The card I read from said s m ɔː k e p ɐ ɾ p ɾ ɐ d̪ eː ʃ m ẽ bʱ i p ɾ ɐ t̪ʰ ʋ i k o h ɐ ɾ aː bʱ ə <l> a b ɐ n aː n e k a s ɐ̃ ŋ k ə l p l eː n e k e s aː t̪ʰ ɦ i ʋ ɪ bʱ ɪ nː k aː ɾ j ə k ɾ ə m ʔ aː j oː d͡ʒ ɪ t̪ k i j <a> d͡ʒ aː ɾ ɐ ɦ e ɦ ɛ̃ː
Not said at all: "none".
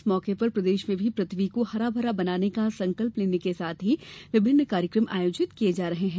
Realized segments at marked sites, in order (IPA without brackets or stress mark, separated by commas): ɾ, e